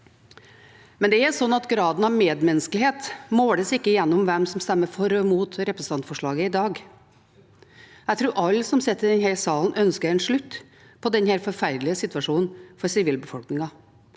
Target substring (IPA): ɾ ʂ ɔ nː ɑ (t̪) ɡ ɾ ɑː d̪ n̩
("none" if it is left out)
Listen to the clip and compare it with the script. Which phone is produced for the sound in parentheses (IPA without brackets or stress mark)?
t̪